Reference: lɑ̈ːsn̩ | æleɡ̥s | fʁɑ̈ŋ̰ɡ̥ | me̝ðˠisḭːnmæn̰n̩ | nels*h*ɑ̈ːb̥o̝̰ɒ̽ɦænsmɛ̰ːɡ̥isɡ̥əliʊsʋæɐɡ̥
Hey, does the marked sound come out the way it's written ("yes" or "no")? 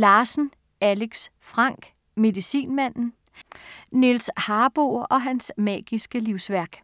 yes